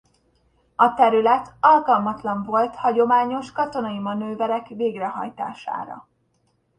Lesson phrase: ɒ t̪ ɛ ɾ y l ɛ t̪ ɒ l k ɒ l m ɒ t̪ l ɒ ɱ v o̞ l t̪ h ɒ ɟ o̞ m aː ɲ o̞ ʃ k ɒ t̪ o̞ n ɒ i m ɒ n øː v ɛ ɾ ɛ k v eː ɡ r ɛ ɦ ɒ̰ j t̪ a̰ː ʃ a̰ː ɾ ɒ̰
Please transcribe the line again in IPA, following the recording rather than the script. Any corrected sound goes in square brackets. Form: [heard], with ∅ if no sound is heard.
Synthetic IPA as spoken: ɒ t̪ ɛ ɾ y l ɛ t̪ ɒ l k ɒ l m ɒ t̪ l ɒ ɱ v o̞ l t̪ h ɒ ɟ o̞ m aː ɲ o̞ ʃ k ɒ t̪ o̞ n ɒ i m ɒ n øː v ɛ ɾ ɛ k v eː ɡ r ɛ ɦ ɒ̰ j t̪ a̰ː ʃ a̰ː ɾ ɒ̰